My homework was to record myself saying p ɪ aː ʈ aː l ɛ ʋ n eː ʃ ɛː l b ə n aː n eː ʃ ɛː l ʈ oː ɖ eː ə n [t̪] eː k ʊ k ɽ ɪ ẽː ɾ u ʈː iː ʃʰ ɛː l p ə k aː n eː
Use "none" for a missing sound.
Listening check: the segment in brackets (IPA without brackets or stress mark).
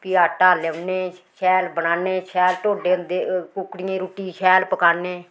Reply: d̪